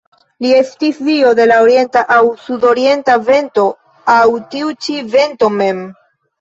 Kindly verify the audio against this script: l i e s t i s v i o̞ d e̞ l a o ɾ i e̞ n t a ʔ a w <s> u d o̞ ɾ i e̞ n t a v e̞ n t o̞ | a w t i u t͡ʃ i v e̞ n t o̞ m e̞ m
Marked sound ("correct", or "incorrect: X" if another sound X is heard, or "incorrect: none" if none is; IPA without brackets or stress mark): correct